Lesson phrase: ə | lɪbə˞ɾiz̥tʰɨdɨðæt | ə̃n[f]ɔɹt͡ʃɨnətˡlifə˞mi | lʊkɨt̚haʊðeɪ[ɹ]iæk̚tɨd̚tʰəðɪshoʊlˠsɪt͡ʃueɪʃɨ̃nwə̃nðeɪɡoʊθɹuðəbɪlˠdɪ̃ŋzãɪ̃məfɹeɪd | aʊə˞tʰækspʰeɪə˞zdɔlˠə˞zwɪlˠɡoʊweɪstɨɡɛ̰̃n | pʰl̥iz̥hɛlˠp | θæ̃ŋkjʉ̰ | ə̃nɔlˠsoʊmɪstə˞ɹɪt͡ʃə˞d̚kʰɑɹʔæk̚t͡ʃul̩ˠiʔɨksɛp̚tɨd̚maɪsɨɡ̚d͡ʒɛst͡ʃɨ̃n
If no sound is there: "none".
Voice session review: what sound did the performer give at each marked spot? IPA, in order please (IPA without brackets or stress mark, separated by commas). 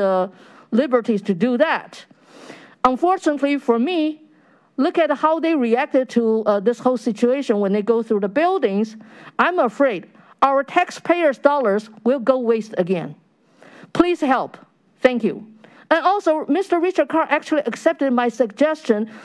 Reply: f, ɹ